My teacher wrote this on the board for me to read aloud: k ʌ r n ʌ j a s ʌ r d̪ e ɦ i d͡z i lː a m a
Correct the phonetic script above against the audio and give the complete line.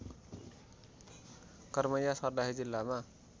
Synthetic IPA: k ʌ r m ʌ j a s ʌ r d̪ a ɦ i d͡z i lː a m a